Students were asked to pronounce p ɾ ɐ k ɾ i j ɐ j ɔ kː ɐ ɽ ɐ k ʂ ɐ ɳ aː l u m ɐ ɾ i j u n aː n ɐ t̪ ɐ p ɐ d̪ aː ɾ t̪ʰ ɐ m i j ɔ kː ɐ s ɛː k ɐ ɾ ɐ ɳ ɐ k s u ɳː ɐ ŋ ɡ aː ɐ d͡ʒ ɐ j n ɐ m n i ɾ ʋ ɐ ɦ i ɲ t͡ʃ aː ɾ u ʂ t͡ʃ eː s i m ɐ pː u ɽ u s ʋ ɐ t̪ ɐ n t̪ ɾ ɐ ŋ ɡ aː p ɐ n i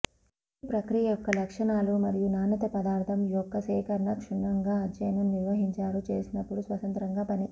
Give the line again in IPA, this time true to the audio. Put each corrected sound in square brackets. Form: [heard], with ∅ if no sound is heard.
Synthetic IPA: p ɾ ɐ k ɾ i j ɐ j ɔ kː ɐ [l] ɐ k ʂ ɐ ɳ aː l u m ɐ ɾ i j u n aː n ɐ t̪ ɐ p ɐ d̪ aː ɾ t̪ʰ ɐ m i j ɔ kː ɐ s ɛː k ɐ ɾ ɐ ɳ ɐ k [ʂ] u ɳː ɐ ŋ ɡ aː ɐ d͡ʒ ɐ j n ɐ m n i ɾ ʋ ɐ ɦ i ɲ t͡ʃ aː ɾ u [∅] t͡ʃ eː s i [n] ɐ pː u ɽ u s ʋ ɐ t̪ ɐ n t̪ ɾ ɐ ŋ ɡ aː p ɐ n i